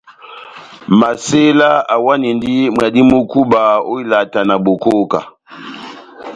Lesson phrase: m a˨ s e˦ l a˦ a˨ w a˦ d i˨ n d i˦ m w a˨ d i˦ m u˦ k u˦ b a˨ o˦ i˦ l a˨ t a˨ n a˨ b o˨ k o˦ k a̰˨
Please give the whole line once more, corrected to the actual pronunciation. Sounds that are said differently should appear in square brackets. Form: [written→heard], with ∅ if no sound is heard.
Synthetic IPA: m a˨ s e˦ l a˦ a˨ w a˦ [d→n] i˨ n d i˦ m w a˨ d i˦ m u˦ k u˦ b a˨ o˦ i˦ l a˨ t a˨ n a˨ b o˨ k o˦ k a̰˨